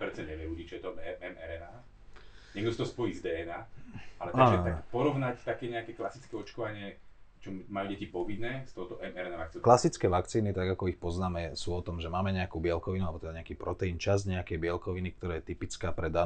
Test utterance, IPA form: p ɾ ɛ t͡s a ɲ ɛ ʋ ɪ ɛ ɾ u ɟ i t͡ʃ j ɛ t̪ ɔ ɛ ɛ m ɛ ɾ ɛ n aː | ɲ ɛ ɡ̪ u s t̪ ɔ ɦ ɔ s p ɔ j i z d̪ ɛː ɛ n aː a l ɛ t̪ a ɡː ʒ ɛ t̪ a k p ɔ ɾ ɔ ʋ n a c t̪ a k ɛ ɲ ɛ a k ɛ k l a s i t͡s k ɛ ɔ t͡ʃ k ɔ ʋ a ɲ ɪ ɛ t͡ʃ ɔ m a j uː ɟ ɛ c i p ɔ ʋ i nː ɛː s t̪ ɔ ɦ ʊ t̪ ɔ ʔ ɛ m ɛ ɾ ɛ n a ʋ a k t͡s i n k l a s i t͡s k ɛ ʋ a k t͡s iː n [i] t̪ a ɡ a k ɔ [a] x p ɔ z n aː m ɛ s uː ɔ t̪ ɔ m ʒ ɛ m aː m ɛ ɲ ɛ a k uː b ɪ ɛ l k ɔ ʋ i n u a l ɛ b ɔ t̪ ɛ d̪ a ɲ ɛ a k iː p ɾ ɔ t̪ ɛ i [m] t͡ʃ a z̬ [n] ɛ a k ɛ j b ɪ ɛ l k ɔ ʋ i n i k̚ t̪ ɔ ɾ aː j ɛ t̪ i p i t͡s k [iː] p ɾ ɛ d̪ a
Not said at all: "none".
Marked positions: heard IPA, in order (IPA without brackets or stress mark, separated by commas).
i, i, n, ɲ, aː